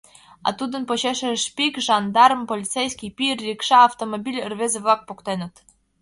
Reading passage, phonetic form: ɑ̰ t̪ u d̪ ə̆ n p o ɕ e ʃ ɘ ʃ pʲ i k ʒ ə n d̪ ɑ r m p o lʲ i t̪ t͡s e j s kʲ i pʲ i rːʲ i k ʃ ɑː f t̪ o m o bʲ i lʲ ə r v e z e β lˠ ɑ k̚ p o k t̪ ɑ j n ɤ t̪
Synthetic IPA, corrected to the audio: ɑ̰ t̪ u d̪ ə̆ n p o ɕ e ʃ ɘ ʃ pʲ i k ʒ ɑ n d̪ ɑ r m p o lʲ i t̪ t͡s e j s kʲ i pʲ i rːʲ i k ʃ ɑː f t̪ o m o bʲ i lʲ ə r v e z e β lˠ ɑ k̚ p o k t̪ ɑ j n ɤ t̪